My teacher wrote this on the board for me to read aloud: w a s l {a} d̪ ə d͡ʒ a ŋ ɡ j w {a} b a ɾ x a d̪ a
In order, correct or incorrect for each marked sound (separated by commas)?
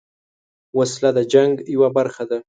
correct, correct